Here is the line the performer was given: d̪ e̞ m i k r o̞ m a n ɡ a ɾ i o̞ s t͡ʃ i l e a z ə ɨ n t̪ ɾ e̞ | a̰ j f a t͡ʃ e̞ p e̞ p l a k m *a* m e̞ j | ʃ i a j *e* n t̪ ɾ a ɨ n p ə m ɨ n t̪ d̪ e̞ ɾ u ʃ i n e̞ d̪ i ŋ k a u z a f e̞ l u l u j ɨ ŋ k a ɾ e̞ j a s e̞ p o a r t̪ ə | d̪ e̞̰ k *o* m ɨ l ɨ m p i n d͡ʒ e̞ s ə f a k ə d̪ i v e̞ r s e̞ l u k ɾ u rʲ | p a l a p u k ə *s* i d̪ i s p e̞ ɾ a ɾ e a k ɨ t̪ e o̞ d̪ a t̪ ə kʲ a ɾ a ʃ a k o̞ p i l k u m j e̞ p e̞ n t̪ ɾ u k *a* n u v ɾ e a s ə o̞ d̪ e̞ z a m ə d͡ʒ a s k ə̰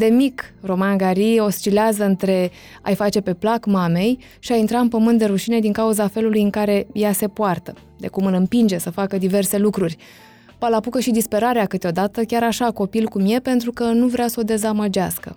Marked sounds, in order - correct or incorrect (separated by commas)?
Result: correct, incorrect, incorrect, incorrect, incorrect